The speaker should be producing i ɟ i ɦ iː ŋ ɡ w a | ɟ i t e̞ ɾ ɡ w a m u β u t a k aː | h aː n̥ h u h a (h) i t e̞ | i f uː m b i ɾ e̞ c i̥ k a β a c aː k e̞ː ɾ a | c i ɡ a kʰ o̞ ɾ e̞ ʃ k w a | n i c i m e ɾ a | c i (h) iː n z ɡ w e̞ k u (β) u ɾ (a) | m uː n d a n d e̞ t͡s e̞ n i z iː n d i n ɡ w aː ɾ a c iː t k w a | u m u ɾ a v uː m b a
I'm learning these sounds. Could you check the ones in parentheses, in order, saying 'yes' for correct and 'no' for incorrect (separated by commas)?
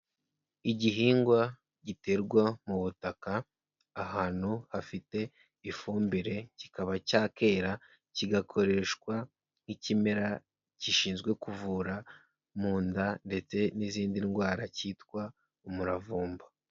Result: no, no, no, yes